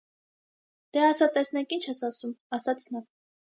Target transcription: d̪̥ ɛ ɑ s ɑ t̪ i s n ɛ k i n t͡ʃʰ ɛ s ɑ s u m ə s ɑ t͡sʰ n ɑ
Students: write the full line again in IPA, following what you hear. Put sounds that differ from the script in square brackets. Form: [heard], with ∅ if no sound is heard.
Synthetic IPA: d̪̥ ɛ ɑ s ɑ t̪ [ɛ] s n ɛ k i n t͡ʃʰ ɛ s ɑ s u m [ɑ] s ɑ t͡sʰ n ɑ